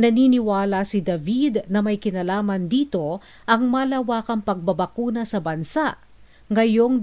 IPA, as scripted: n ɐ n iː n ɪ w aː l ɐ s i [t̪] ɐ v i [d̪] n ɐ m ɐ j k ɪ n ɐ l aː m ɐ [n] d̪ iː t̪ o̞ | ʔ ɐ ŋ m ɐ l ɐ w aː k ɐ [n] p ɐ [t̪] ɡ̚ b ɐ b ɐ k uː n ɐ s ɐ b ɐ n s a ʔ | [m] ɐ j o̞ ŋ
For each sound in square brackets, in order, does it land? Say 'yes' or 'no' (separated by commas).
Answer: no, yes, yes, no, no, no